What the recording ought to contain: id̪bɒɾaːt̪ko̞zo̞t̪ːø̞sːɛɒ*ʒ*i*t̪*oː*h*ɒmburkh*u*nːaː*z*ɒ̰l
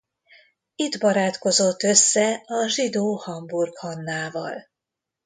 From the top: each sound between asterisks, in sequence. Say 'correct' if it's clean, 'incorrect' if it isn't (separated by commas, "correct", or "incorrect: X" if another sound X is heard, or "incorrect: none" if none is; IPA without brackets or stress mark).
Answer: correct, incorrect: d̪, correct, incorrect: ɒ, incorrect: v